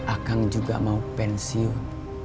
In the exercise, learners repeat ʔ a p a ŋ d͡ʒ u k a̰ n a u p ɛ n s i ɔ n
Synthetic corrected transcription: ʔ a k a ŋ d͡ʒ u ɡ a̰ m a u p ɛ n s i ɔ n